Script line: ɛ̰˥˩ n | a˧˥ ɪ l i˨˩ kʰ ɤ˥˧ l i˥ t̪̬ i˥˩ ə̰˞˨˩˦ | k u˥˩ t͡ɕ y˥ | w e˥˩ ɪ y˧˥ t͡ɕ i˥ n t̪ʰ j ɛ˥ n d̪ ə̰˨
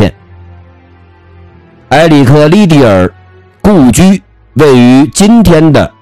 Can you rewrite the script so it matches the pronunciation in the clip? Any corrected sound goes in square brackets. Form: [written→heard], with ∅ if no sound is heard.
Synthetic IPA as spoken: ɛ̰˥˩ n | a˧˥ ɪ l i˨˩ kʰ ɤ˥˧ l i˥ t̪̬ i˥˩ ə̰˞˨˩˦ | k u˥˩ t͡ɕ y˥ | w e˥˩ ɪ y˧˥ t͡ɕ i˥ n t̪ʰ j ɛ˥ n d̪ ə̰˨